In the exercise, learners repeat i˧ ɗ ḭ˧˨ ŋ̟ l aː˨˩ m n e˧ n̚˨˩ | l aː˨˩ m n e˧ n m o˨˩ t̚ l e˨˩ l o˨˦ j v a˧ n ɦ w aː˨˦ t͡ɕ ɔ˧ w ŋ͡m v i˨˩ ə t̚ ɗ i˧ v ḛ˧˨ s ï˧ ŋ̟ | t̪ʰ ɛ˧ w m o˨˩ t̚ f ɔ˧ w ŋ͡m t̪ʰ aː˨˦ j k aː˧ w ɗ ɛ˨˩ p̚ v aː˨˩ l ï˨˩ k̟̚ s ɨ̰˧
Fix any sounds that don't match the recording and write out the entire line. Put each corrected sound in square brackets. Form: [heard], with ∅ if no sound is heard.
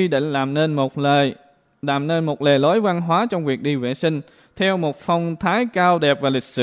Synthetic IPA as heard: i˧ ɗ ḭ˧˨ ŋ̟ l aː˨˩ m n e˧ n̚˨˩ | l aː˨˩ m n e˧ n m o˨˩ t̚ l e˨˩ l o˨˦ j v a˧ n ɦ w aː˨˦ t͡ɕ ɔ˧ w ŋ͡m v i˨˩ ə [k̚] ɗ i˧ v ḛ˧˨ s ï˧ ŋ̟ | t̪ʰ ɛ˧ w m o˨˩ t̚ f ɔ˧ w ŋ͡m t̪ʰ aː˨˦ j k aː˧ w ɗ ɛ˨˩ p̚ v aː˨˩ l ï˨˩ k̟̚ s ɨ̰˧